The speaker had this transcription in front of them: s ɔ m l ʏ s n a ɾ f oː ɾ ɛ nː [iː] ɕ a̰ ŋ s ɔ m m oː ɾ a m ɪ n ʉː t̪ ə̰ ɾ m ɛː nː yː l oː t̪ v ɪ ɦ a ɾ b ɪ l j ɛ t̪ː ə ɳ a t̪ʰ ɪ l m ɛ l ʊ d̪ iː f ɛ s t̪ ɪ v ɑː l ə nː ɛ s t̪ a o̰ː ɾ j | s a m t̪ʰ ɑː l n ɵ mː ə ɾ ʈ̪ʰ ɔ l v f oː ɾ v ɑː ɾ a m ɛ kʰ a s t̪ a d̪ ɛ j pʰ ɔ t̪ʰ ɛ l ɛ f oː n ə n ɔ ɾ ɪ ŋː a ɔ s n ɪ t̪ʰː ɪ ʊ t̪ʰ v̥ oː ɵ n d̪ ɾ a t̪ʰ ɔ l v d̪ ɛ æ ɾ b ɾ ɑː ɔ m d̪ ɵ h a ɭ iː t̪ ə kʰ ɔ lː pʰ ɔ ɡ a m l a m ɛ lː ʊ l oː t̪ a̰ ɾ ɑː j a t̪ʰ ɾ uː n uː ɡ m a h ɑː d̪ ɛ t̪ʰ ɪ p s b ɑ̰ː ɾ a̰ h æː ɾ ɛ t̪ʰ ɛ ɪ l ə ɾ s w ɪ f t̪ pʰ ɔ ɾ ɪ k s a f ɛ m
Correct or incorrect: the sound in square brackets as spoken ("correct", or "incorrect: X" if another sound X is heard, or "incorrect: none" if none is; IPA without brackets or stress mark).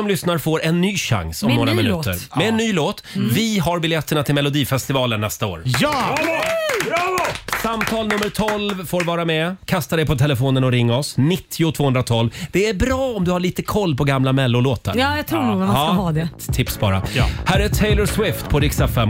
incorrect: yː